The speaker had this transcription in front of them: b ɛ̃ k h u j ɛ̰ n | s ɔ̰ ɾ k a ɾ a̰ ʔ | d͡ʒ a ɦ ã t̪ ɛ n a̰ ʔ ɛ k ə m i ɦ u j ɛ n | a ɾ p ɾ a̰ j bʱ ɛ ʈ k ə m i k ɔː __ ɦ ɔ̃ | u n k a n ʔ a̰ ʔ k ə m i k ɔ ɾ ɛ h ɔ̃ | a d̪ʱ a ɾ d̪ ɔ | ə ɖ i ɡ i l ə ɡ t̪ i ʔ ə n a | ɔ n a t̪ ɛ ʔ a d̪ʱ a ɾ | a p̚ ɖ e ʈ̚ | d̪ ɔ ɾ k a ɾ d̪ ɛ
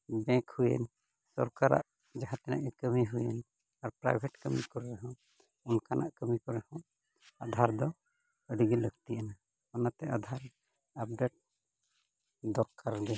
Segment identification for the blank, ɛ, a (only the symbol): ɛ